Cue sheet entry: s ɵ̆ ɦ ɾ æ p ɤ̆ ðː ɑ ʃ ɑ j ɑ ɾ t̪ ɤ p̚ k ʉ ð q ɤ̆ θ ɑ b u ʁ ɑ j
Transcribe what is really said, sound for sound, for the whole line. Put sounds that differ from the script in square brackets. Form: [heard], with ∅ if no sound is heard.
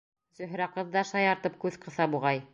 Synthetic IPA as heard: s ɵ̆ ɦ ɾ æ [q] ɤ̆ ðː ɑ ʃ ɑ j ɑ ɾ t̪ ɤ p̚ k ʉ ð q ɤ̆ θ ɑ b u ʁ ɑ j